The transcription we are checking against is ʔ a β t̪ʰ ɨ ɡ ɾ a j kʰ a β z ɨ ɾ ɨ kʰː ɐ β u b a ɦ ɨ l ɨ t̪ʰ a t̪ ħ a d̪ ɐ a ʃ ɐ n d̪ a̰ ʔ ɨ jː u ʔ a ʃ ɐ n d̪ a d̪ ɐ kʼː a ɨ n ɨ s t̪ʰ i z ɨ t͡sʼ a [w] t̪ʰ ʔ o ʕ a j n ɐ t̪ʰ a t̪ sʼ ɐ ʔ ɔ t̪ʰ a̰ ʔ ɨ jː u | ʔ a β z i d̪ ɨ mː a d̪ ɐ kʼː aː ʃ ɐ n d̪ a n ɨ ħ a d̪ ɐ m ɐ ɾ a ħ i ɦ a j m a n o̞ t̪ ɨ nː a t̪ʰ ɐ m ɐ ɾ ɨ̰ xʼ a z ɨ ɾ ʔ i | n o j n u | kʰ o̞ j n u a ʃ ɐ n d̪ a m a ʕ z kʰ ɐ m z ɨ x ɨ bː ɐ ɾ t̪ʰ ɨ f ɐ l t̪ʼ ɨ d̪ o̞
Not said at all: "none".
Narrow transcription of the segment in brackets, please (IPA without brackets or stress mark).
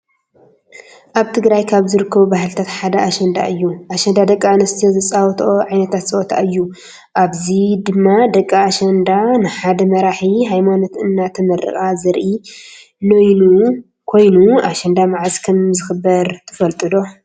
w